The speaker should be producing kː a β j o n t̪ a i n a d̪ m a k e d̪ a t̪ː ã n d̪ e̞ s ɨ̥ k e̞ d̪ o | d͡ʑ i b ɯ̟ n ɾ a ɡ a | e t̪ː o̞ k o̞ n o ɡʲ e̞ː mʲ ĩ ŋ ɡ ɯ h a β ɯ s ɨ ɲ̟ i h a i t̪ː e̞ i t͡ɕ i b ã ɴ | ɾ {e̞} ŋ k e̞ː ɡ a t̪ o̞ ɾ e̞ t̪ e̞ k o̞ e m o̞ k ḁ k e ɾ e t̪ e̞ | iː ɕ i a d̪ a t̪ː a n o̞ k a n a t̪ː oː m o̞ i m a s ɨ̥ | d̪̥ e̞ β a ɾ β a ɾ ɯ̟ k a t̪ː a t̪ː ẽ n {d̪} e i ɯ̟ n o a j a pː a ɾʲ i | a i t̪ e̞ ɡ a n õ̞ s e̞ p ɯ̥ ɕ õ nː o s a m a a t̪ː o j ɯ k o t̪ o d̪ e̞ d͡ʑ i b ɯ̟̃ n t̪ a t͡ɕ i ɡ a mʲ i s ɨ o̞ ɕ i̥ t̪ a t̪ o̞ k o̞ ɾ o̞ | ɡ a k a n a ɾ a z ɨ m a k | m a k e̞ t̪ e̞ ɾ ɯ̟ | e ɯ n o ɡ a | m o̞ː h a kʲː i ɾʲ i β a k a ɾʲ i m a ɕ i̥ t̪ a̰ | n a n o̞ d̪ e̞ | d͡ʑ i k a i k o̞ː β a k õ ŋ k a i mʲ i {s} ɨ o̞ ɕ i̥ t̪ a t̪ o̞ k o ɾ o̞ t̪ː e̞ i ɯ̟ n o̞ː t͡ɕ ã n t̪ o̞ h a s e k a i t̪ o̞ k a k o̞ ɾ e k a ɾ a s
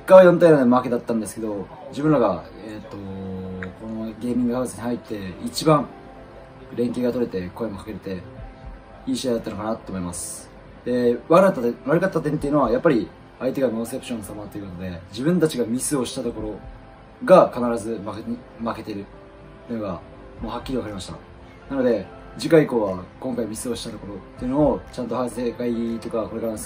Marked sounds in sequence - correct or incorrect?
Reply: incorrect, incorrect, correct

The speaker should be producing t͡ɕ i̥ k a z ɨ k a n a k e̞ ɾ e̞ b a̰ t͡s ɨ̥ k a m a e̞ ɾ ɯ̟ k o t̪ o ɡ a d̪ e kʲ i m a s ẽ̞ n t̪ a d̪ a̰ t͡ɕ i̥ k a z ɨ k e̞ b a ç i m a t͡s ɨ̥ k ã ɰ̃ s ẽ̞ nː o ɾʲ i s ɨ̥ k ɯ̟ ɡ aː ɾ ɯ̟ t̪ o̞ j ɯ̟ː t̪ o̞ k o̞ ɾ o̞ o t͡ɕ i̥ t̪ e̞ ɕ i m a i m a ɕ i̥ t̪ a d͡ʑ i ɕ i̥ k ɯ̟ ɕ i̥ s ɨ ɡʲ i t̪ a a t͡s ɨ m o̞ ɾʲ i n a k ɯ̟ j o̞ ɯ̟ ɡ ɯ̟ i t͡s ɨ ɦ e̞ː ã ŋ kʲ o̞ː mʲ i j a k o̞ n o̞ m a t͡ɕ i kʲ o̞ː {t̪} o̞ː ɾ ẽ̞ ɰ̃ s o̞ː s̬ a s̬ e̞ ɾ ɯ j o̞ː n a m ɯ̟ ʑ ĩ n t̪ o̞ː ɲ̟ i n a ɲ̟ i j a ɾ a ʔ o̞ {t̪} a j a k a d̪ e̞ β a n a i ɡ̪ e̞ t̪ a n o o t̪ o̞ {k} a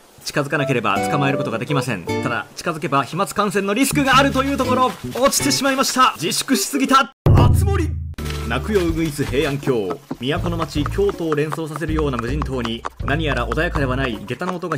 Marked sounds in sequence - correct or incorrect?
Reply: correct, incorrect, incorrect

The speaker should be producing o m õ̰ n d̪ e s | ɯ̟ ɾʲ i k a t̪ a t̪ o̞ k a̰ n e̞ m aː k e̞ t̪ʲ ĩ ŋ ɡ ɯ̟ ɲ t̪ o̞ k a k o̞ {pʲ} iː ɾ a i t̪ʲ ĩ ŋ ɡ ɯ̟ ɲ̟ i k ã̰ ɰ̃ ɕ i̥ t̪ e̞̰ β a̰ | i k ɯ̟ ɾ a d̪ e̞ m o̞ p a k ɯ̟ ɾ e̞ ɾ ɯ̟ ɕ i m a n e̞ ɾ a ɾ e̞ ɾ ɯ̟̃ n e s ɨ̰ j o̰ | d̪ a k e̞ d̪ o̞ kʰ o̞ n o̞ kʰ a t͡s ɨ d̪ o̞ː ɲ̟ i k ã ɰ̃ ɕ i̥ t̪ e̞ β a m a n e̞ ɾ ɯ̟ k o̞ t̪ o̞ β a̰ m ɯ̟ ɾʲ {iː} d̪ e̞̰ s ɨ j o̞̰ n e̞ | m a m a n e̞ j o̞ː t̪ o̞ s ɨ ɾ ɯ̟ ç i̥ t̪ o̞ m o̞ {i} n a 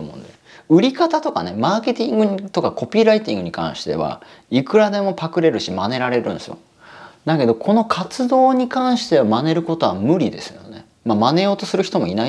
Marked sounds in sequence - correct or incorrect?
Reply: correct, incorrect, correct

